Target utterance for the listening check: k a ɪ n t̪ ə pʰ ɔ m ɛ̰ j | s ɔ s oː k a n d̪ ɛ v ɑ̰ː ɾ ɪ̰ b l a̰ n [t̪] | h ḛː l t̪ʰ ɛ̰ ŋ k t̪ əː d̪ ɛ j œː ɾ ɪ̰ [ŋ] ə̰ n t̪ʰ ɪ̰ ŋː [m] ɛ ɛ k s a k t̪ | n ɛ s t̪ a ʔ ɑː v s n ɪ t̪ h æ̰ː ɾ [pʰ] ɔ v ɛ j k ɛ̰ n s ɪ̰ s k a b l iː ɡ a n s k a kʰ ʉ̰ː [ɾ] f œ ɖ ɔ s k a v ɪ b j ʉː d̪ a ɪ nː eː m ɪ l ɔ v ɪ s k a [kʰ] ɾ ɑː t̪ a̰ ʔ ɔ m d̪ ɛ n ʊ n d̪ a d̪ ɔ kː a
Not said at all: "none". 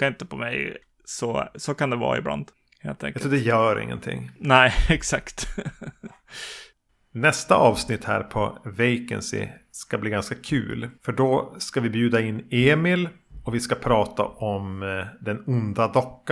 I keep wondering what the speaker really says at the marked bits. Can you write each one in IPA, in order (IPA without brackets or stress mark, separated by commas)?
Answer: d̪, ŋː, n, pʰ, l, pʰ